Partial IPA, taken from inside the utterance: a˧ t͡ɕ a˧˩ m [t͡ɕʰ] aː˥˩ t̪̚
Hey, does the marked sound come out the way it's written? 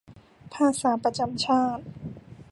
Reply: yes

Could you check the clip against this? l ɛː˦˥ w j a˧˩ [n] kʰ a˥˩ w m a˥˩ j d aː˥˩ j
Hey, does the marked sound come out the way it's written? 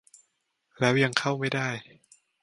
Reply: no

